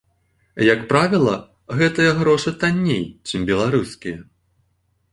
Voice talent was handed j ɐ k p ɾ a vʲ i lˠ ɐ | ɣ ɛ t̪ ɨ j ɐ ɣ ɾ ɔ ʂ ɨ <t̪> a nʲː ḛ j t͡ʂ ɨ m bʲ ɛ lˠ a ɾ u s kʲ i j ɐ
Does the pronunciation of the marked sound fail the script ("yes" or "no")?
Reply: no